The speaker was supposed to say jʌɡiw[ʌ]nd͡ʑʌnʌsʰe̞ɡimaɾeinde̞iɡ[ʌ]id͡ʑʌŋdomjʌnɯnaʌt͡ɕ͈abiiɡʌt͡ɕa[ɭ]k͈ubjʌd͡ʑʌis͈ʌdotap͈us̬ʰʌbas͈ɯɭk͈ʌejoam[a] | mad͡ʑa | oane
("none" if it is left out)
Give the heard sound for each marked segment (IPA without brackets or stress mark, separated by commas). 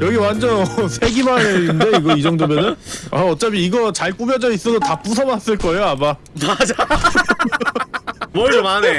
a, ʌ, ɭ, a